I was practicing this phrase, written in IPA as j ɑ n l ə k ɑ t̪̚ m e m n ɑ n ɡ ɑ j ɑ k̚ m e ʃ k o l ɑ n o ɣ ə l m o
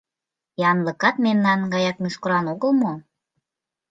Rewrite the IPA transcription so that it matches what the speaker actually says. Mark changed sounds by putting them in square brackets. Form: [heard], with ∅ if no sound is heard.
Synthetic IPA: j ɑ n l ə k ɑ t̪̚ m e m n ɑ n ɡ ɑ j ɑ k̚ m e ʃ k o [ɾ] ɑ n o ɣ ə l m o